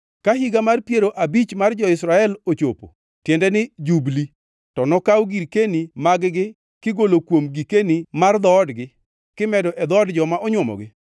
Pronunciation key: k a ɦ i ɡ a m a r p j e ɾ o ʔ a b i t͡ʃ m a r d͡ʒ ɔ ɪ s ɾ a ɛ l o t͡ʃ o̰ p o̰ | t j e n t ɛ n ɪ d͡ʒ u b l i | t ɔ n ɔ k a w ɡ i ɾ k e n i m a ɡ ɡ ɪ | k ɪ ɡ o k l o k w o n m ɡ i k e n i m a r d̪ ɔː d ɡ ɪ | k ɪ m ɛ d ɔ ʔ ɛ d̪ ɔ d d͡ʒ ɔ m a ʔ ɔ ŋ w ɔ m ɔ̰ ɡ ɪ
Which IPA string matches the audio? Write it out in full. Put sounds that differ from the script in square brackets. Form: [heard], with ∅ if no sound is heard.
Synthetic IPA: k a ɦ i ɡ a m a r p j e ɾ o ʔ a b i t͡ʃ m a r d͡ʒ ɔ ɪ s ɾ a ɛ l o t͡ʃ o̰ p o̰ | t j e n [d] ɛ n ɪ d͡ʒ u b l i | t ɔ n ɔ k a w ɡ i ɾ k e n i m a ɡ ɡ ɪ | k ɪ ɡ o [∅] l o k w o [∅] m ɡ i k e n i m a r d̪ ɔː d ɡ ɪ | k ɪ m ɛ d ɔ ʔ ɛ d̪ ɔ d d͡ʒ ɔ m a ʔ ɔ [ɲ] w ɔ m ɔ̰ ɡ ɪ